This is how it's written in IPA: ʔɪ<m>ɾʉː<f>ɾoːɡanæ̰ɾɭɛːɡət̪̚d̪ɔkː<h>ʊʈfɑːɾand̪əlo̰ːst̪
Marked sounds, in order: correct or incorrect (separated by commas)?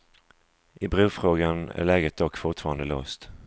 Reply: incorrect, correct, incorrect